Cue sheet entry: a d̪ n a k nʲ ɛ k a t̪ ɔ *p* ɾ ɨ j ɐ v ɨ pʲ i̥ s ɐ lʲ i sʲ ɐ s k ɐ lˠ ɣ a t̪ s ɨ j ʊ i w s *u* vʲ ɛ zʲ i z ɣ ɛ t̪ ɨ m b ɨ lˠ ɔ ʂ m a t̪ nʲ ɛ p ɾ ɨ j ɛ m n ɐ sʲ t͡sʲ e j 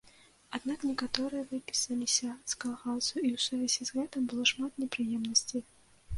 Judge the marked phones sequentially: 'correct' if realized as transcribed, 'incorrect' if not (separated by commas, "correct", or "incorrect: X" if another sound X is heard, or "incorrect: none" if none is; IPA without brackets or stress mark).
incorrect: none, correct